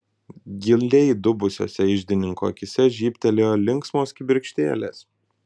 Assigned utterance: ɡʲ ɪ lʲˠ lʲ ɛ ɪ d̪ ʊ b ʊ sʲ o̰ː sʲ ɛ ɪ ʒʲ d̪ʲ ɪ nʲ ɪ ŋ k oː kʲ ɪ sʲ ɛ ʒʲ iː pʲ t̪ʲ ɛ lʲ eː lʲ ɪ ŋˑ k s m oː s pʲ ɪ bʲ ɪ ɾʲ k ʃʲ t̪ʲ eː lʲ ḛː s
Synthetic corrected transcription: ɡʲ ɪ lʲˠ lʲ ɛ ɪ d̪ ʊ b ʊ sʲ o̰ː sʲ ɛ ɪ ʒʲ d̪ʲ ɪ nʲ ɪ ŋ k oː kʲ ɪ sʲ ɛ ʒʲ iː pʲ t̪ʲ ɛ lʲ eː lʲ ɪ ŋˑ k s m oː s kʲ ɪ bʲ ɪ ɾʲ k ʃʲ t̪ʲ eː lʲ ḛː s

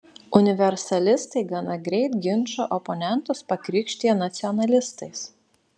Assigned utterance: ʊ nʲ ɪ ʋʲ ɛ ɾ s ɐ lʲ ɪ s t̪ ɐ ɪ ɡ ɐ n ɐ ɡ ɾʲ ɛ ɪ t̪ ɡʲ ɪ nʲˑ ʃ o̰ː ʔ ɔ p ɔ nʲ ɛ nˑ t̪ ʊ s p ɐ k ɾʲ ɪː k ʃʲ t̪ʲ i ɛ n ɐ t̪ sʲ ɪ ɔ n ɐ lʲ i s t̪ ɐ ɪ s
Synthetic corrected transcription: ʊ nʲ ɪ ʋʲ ɛ ɾ s ɐ lʲ ɪ s t̪ ɐ ɪ ɡ ɐ n ɐ ɡ ɾʲ ɛ ɪ t̪ ɡʲ ɪ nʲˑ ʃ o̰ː ʔ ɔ p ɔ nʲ ɛ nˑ t̪ ʊ s p ɐ k ɾʲ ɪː k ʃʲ t̪ʲ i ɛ n ɐ t̪ sʲ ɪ ɔ n ɐ lʲ ɪ s t̪ ɐ ɪ s

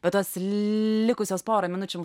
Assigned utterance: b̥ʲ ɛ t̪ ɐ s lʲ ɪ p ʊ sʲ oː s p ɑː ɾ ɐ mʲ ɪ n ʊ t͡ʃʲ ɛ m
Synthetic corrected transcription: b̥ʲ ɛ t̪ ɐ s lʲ ɪ k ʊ sʲ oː s p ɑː ɾ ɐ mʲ ɪ n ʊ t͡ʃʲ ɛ m

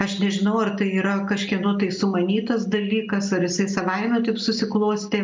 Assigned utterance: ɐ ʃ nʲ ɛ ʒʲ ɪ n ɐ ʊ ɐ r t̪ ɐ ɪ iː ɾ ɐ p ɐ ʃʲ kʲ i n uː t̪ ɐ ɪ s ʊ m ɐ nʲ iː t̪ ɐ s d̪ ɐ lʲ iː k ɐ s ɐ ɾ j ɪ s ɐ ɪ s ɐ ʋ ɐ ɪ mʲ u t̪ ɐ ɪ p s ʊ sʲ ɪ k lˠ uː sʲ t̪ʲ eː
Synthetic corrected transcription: ɐ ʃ nʲ ɛ ʒʲ ɪ n ɐ ʊ ɐ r t̪ ɐ ɪ iː ɾ ɐ k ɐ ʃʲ kʲ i n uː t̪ ɐ ɪ s ʊ m ɐ nʲ iː t̪ ɐ s d̪ ɐ lʲ iː k ɐ s ɐ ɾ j ɪ s ɐ ɪ s ɐ ʋ ɐ ɪ mʲ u t̪ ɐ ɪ p s ʊ sʲ ɪ k lˠ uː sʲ t̪ʲ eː

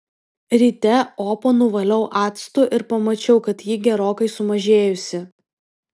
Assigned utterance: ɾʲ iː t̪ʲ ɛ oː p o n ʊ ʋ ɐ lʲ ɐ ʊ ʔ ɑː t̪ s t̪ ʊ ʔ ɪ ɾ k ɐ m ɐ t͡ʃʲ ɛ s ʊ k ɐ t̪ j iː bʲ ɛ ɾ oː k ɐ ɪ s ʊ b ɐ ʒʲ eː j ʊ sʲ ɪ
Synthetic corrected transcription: ɾʲ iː t̪ʲ ɛ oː p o n ʊ ʋ ɐ lʲ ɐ ʊ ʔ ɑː t̪ s t̪ ʊ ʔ ɪ ɾ p ɐ m ɐ t͡ʃʲ ɛ ʊ k ɐ t̪ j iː ɡʲ ɛ ɾ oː k ɐ ɪ s ʊ m ɐ ʒʲ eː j ʊ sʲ ɪ

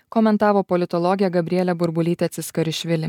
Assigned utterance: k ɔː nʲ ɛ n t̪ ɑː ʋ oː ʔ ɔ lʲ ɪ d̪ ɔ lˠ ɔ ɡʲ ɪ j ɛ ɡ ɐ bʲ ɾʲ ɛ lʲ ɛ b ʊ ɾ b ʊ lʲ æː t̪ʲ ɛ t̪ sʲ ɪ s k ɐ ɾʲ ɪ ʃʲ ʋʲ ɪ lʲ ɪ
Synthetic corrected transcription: k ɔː mʲ ɛ n t̪ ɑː ʋ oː p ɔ lʲ ɪ t̪ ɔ lˠ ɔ ɡʲ ɪ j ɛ ɡ ɐ bʲ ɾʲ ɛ lʲ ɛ b ʊ ɾ b ʊ lʲ iː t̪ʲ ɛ t̪ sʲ ɪ s k ɐ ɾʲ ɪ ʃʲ ʋʲ ɪ lʲ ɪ

